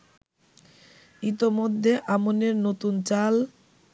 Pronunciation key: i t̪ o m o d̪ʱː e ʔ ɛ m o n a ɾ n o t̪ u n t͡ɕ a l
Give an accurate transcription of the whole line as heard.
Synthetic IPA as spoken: i t̪ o m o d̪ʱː e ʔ a m o n e ɾ n o t̪ u n t͡ɕ a l

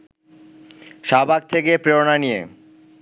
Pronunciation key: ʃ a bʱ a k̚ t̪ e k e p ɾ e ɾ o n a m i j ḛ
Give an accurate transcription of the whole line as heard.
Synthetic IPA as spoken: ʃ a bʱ a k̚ t̪ʰ e k e p ɾ e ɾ o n a n i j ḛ

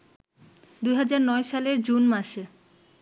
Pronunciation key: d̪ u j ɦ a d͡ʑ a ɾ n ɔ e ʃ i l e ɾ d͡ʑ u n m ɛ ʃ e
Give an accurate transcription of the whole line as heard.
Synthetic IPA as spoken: d̪ u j ɦ a d͡ʑ a ɾ n ɔ e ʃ a l e ɾ d͡ʑ u n m a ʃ e

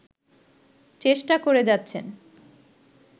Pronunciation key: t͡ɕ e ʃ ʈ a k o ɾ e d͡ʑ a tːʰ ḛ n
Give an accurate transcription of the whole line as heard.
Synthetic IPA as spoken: t͡ɕ e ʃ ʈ a k o ɾ e d͡ʑ a tːʰ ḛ n

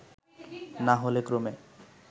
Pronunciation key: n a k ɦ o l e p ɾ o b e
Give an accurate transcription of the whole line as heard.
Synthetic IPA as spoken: n a ɦ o l e k ɾ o m e

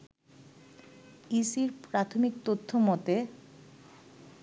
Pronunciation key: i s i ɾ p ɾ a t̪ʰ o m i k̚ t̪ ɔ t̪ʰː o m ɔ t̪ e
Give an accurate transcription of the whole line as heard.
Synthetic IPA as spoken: i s i ɾ p ɾ a t̪ʰ o m i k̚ t̪ o t̪ʰː o m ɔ t̪ e

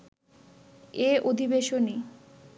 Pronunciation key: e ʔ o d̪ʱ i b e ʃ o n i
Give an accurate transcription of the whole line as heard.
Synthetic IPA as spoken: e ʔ o d̪ʱ i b e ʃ o n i

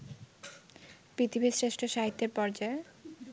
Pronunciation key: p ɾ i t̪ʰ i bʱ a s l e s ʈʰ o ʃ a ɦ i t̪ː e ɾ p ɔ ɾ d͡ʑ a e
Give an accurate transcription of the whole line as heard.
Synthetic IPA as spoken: p ɾ i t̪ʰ i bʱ i s ɾ e ʃ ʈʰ o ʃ a ɦ i t̪ː e ɾ p ɔ ɾ d͡ʑ a e

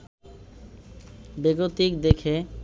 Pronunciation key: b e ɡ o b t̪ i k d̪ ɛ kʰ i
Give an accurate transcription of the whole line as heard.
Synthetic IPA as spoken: b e ɡ o t̪ i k d̪ e kʰ e

